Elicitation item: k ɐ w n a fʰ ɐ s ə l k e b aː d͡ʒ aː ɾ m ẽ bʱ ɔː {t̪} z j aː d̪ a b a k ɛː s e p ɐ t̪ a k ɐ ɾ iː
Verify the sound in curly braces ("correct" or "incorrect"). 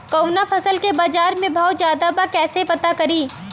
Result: correct